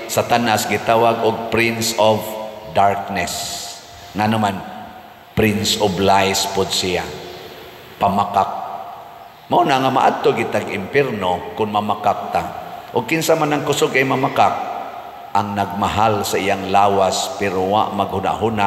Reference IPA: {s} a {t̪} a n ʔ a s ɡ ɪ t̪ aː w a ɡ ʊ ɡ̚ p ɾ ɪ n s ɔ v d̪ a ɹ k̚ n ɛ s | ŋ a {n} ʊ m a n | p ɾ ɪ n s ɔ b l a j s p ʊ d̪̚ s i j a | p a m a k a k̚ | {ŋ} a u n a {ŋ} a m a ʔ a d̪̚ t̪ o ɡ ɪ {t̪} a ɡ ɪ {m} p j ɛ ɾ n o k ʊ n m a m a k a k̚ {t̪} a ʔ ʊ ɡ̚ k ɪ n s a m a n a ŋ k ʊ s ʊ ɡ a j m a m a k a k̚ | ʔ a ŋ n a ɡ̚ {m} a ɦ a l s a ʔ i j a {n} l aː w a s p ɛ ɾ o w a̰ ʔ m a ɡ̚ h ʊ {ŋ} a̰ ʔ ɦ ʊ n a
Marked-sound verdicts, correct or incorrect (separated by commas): correct, correct, correct, incorrect, correct, correct, correct, correct, correct, incorrect, incorrect